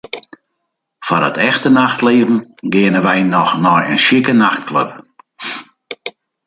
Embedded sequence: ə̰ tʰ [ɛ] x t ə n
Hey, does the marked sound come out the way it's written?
yes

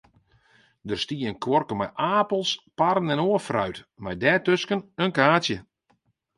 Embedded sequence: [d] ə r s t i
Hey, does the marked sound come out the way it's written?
yes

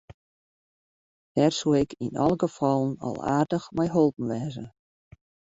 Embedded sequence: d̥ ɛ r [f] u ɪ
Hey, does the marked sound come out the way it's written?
no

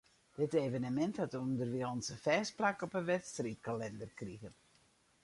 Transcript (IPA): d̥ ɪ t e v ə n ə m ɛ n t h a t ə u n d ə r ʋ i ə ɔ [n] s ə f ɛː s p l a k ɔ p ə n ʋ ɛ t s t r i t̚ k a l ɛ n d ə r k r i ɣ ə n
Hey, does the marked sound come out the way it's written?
yes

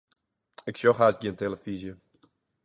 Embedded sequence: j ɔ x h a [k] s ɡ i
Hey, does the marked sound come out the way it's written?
no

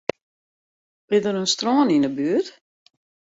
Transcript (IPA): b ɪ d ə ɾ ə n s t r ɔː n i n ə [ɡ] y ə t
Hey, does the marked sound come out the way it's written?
no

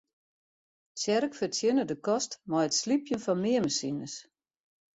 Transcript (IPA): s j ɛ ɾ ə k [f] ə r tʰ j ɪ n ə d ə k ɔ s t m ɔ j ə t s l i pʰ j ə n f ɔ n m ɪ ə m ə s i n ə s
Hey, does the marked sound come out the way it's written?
yes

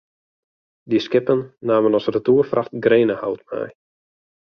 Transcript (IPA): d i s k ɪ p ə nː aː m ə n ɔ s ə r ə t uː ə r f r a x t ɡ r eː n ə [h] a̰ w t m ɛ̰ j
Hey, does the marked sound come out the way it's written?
yes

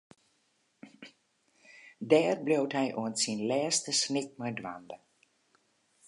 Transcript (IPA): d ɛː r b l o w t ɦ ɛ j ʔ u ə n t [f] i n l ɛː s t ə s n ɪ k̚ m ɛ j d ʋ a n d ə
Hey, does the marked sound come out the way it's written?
no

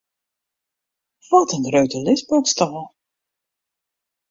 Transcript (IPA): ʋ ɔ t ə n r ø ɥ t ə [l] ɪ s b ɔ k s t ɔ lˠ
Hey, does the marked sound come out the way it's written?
yes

